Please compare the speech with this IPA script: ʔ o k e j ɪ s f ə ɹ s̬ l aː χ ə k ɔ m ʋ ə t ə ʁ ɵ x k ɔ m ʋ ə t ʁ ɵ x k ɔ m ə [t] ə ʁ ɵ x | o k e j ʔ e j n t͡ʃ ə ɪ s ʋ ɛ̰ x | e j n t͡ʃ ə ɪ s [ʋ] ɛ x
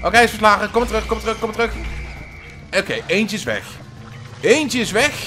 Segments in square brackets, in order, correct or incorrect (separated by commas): correct, correct